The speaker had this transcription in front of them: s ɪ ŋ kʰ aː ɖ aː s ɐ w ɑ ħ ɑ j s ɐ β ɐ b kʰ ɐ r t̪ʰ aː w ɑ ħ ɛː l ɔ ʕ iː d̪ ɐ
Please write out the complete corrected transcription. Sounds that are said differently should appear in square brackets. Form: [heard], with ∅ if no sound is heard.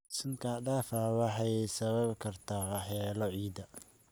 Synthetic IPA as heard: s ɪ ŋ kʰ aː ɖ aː [f] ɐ w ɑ ħ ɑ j s ɐ β ɐ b kʰ ɐ r t̪ʰ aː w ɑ ħ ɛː l ɔ ʕ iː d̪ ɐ